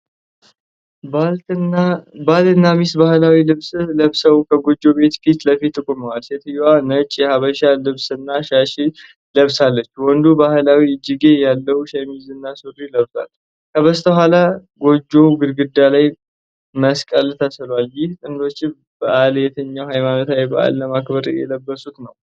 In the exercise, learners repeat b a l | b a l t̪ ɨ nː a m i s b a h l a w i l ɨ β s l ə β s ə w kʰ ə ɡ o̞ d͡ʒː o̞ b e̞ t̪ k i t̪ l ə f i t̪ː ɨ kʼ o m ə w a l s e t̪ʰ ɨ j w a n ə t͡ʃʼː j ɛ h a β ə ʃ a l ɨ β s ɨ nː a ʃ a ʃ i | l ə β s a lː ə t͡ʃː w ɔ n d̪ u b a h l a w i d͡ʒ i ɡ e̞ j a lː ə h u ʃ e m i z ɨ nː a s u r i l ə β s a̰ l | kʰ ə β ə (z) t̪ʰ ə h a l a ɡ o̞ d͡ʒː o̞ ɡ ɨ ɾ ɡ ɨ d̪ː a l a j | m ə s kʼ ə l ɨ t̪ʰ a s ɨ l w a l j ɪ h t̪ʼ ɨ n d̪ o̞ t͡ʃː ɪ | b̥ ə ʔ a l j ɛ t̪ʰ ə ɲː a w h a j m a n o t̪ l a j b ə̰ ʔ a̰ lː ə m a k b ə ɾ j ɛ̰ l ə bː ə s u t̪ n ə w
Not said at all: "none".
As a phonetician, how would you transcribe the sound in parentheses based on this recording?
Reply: s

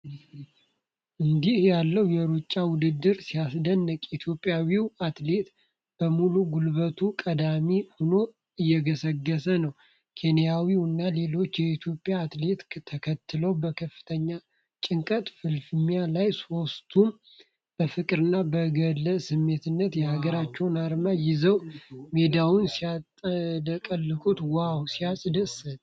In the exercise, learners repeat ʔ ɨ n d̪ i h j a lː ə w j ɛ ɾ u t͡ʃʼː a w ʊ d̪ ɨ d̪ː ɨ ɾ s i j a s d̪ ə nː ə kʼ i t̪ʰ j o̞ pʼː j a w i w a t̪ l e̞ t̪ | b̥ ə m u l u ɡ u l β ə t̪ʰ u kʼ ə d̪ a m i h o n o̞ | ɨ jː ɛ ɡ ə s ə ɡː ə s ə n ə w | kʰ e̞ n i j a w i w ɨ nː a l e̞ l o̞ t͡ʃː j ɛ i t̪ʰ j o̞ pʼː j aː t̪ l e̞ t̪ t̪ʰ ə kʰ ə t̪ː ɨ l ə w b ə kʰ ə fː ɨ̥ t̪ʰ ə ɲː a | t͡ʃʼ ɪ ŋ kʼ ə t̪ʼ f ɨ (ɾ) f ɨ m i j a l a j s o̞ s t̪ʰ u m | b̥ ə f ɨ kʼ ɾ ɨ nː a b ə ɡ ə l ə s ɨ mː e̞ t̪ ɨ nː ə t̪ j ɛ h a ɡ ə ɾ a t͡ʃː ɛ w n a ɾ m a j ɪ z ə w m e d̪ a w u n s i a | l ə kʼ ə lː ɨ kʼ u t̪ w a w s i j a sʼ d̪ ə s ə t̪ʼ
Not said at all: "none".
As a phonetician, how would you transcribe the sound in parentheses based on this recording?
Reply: l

